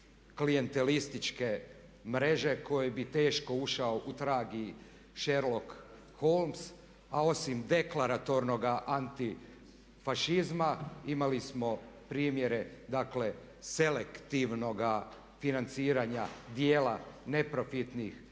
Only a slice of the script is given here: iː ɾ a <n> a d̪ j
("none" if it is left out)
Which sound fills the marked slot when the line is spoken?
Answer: ɲ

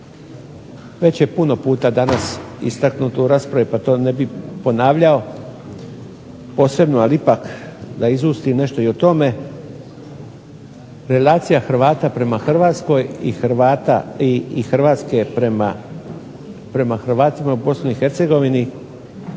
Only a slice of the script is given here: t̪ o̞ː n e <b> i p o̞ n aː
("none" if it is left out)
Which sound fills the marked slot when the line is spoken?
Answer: b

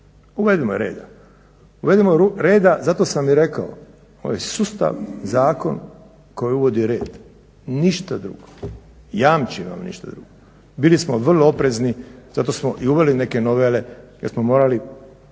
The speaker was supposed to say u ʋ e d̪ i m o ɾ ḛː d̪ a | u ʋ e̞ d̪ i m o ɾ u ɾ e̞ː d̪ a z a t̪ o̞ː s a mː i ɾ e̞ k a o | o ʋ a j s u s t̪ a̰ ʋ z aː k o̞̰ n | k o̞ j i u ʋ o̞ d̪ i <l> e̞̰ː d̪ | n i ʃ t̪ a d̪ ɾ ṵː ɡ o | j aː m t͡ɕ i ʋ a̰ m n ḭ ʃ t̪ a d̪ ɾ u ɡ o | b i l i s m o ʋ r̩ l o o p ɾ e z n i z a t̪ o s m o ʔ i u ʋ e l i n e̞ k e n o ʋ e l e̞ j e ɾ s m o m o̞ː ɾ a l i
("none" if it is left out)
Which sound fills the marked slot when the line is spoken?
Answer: ɾ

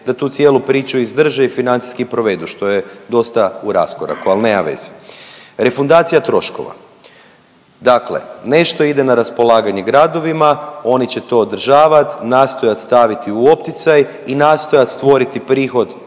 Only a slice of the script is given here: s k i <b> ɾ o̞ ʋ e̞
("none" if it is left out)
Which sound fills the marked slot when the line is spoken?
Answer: p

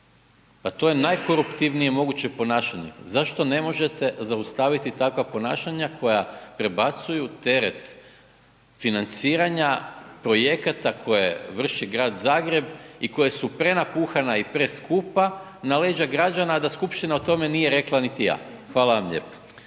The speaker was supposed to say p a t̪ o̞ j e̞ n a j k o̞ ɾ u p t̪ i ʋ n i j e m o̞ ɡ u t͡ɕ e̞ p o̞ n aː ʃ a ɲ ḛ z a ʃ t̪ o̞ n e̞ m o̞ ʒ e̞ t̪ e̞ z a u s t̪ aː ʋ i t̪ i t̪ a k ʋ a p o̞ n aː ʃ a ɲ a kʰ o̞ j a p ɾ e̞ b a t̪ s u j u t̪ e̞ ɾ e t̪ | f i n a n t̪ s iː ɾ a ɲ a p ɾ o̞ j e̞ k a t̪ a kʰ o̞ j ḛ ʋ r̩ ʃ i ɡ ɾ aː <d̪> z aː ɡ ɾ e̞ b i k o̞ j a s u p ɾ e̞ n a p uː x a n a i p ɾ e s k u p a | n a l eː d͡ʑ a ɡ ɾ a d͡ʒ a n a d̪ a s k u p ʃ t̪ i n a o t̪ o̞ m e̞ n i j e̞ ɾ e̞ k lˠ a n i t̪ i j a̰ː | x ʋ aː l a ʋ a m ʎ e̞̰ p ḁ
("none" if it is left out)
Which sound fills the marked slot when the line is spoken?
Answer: d̪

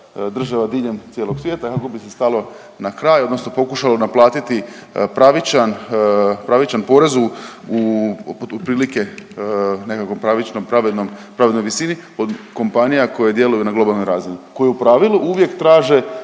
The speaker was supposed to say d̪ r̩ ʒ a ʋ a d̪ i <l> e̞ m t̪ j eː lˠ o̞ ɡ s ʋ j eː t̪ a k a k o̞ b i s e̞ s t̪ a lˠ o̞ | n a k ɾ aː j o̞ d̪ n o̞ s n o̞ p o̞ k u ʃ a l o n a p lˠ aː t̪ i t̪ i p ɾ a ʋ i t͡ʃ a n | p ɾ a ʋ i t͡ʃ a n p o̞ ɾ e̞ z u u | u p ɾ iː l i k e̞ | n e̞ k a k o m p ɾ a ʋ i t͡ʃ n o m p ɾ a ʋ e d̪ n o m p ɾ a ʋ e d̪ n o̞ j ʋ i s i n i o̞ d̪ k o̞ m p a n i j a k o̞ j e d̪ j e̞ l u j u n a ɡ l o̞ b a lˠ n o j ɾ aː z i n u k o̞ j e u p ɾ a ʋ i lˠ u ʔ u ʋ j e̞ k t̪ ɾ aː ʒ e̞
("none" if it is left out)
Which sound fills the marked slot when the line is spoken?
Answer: ʎ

